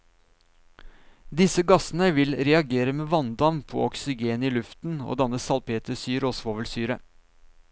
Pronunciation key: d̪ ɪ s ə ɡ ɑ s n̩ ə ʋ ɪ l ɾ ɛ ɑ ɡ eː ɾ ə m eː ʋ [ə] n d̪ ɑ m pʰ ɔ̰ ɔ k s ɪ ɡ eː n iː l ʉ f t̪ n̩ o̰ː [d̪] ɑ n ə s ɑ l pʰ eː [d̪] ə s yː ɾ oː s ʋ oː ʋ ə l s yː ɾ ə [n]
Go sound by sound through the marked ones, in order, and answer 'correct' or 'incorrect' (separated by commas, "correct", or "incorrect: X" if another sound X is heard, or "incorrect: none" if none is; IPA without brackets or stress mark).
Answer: incorrect: ɑ, correct, incorrect: t̪, incorrect: none